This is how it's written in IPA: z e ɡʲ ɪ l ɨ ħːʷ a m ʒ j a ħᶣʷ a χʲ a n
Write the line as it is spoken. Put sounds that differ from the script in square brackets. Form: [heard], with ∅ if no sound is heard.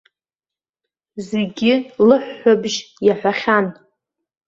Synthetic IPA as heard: z e ɡʲ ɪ l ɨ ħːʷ a [b] ʒ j a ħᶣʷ a χʲ a n